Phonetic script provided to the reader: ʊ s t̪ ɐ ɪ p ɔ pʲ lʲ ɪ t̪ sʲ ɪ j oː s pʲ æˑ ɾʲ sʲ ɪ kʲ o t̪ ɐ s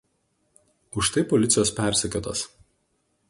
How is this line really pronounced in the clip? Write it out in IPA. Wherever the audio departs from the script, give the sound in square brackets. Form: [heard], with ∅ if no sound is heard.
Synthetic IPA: ʊ [ʃ] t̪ ɐ ɪ p ɔ [∅] lʲ ɪ t̪ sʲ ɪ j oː s pʲ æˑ ɾʲ sʲ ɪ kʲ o t̪ ɐ s